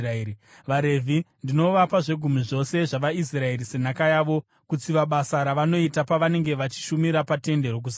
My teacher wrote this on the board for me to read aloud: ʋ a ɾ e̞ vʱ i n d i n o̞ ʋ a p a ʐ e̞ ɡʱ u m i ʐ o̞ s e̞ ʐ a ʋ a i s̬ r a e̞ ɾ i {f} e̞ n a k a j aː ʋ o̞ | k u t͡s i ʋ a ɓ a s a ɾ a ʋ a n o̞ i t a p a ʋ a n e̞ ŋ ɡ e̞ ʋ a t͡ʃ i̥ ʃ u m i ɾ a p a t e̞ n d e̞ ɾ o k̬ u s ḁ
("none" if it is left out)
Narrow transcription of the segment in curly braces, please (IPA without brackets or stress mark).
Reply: s